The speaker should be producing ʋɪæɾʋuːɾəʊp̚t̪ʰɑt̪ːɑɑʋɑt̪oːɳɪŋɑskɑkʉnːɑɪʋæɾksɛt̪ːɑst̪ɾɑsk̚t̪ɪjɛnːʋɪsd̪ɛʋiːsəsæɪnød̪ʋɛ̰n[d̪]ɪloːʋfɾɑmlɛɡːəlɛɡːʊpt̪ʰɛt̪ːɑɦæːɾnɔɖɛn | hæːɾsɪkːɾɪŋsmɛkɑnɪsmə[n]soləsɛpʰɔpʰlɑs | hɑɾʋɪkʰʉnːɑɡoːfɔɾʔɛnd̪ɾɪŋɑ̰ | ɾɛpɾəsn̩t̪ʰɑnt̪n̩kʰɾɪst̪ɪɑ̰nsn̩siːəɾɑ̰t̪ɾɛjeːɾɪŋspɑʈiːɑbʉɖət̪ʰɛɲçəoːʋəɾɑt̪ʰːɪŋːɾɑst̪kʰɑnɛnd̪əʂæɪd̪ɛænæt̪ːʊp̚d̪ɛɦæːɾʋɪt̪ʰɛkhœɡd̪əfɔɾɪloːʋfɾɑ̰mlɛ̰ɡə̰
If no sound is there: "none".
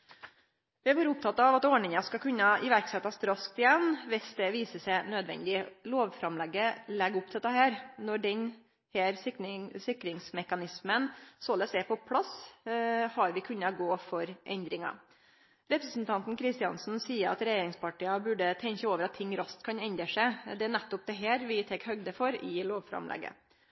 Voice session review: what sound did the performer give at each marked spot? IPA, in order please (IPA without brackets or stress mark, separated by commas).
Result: d̪, n